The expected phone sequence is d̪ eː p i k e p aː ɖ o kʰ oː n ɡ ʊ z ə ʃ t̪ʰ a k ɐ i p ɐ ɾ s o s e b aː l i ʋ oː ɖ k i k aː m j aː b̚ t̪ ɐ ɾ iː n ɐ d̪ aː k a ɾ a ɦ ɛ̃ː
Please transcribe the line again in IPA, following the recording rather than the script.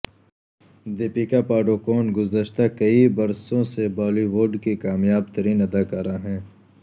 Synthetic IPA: d̪ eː p i k a p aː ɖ o k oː n ɡ ʊ z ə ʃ t̪ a k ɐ i b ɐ ɾ s õ s e b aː l i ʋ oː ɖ k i k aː m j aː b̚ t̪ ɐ ɾ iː n ɐ d̪ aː k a ɾ a ɦ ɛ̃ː